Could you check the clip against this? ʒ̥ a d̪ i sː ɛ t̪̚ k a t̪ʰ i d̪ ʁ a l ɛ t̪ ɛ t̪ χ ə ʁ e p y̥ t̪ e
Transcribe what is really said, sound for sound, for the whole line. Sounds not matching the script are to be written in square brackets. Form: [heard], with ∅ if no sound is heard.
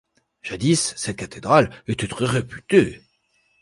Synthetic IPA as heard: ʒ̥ a d̪ i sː ɛ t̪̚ k a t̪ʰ [e] d̪ ʁ a l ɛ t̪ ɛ t̪ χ ə ʁ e p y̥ t̪ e